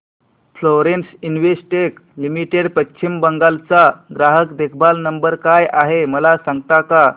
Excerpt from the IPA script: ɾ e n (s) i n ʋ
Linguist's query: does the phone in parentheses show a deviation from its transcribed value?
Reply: no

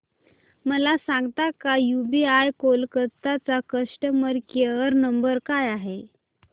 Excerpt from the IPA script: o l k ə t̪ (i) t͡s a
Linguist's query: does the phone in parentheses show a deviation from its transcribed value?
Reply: yes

